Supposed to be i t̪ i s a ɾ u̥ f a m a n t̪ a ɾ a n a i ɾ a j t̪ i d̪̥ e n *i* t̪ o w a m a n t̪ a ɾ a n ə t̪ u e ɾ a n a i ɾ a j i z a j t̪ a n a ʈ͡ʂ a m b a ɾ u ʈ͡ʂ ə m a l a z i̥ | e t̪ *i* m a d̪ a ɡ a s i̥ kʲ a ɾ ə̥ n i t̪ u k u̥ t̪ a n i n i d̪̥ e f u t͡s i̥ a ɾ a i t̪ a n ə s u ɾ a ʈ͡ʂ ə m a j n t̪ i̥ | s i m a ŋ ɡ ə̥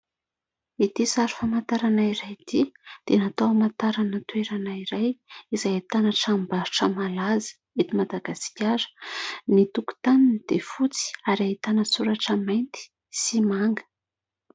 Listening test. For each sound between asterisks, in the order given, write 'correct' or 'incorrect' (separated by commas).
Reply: incorrect, correct